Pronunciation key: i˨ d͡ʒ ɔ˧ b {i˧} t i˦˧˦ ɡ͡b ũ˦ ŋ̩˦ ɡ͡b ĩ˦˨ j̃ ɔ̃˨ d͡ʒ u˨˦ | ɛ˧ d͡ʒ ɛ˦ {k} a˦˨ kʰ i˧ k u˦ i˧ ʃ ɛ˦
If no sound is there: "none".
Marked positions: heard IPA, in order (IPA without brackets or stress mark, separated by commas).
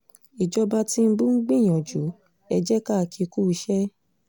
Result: a˧, k